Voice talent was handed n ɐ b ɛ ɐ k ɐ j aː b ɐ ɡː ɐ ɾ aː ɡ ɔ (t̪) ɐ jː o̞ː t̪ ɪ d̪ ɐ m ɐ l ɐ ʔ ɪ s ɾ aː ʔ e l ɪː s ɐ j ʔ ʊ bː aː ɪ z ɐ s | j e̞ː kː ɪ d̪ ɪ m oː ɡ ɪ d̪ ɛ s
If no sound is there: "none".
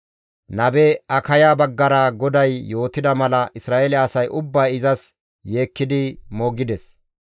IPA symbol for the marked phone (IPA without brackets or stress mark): d̪